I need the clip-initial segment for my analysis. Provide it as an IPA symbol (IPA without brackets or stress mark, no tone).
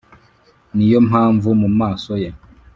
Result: n